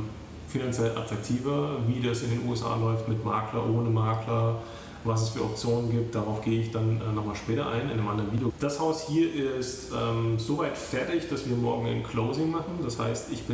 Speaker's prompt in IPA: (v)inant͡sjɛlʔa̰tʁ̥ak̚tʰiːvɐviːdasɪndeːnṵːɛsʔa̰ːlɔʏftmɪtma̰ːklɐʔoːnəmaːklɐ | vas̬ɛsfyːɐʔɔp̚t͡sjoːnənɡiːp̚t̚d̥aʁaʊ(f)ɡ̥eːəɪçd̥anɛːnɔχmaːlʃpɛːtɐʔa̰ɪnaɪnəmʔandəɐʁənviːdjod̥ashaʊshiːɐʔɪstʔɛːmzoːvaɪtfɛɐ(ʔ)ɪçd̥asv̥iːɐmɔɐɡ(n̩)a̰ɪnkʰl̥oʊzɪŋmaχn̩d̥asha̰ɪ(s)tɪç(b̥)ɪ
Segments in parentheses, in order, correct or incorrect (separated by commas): incorrect, correct, incorrect, incorrect, correct, correct